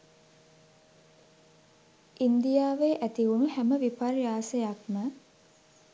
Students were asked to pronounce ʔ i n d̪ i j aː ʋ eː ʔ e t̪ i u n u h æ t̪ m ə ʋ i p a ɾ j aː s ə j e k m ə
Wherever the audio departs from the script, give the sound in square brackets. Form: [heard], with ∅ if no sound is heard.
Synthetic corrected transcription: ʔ i n d̪ i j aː ʋ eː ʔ [æ] t̪ i u n u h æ [∅] m ə ʋ i p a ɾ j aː s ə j [a] k m ə